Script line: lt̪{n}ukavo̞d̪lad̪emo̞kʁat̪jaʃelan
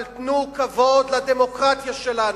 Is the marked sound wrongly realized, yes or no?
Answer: no